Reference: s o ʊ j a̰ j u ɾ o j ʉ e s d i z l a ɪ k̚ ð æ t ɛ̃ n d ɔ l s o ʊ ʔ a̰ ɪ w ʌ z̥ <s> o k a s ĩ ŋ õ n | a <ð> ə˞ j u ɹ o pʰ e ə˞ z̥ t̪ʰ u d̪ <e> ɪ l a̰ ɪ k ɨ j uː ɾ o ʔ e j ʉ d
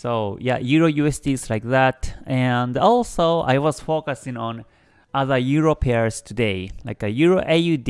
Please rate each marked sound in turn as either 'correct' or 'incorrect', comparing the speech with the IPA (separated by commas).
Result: incorrect, correct, correct